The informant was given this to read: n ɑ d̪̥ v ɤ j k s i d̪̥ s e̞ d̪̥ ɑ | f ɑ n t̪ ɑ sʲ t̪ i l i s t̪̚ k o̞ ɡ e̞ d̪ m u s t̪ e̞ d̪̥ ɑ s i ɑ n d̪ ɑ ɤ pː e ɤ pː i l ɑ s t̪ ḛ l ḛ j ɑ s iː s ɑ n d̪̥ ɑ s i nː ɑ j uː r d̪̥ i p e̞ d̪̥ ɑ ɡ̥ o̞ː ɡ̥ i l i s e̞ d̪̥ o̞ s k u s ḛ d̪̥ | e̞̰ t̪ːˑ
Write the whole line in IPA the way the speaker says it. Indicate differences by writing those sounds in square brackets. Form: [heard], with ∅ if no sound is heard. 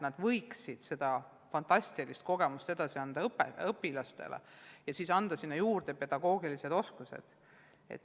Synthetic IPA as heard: n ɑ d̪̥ v ɤ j k s i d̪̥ s e̞ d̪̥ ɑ | f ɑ n t̪ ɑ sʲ t̪ i l i s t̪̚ k o̞ ɡ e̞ [∅] m u s t̪ e̞ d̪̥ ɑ s i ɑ n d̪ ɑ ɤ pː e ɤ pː i l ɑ s t̪ ḛ l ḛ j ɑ s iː s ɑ n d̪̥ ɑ s i nː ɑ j uː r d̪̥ [e] p e̞ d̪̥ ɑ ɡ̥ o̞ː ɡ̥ i l i s e̞ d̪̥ o̞ s k u s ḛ d̪̥ | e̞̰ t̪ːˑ

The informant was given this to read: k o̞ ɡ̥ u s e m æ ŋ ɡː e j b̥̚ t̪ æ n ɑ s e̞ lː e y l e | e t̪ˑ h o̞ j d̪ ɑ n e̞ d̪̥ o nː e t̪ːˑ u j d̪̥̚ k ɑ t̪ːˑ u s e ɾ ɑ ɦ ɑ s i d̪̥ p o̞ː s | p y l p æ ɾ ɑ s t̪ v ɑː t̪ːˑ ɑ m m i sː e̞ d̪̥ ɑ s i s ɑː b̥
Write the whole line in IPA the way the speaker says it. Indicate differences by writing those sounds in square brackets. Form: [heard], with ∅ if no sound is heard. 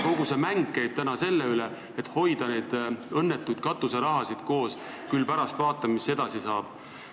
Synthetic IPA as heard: k o̞ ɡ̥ u s e m æ ŋ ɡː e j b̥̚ t̪ æ n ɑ s e̞ lː e y l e | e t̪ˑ h o̞ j d̪ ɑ n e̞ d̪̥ [ɤ] nː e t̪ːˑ u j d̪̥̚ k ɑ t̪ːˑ u s e ɾ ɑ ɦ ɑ s i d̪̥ [k] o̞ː s | [k] y l p æ ɾ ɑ s t̪ v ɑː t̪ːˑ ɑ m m i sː e̞ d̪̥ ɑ s i s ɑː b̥

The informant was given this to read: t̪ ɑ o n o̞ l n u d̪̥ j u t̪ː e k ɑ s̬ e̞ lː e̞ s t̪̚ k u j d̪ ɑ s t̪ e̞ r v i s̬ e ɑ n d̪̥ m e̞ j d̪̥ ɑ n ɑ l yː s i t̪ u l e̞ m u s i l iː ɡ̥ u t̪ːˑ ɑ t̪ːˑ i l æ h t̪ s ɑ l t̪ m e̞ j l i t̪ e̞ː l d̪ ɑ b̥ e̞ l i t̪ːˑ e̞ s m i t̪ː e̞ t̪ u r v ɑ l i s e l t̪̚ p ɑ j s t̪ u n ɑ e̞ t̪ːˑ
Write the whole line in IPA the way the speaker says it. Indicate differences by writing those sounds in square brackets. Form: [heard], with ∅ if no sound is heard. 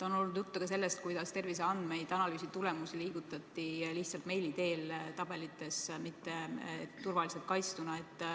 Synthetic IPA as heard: t̪ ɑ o n o̞ l n u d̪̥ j u t̪ː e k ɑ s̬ e̞ lː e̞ s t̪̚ k u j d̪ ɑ s t̪ e̞ r v i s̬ e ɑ n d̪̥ m e̞ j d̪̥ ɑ n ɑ l yː s i t̪ u l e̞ m u s i l iː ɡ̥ u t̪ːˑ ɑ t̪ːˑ i l [i] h t̪ s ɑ l t̪ m e̞ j l i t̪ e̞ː l [t̪] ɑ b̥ e̞ l i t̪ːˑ e̞ s m i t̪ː e̞ t̪ u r v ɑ l i s e l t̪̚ [k] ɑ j s t̪ u n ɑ e̞ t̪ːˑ

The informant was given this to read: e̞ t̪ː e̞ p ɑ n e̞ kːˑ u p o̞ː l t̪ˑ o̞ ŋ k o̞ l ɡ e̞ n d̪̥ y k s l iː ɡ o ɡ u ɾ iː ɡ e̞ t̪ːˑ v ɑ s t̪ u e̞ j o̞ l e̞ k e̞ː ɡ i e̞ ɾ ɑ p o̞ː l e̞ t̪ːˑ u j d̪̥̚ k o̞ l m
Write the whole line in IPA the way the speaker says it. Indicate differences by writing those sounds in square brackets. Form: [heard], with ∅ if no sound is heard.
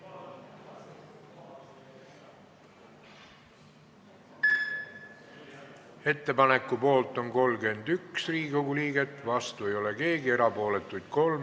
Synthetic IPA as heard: e̞ t̪ː e̞ p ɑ n e̞ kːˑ u p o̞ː l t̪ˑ o̞ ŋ k o̞ l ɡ e̞ n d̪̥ y k s [r] iː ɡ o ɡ u [l] iː ɡ e̞ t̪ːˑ v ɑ s t̪ u e̞ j o̞ l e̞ k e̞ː ɡ i e̞ ɾ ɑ p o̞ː l e̞ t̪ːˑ u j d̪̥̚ k o̞ l m

